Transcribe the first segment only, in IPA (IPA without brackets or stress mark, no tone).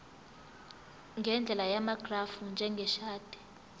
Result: ŋ